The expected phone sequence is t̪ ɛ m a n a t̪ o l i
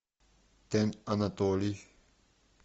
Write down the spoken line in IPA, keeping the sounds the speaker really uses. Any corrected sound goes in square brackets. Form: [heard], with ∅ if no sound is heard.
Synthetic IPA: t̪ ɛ [n] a n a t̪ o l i